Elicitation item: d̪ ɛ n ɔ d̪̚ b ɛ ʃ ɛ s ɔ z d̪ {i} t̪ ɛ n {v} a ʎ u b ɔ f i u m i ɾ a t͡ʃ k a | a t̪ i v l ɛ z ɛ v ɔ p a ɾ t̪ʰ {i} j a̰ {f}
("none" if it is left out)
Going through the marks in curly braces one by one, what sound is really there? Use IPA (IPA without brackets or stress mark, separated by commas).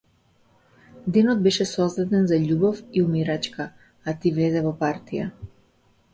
a, z, i, none